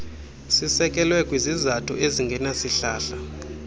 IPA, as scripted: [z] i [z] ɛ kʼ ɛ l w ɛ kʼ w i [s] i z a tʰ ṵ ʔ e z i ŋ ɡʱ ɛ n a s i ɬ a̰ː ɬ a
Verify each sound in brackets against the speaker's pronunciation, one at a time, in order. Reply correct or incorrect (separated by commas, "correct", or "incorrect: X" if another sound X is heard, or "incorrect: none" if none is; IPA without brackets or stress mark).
incorrect: s, incorrect: s, incorrect: z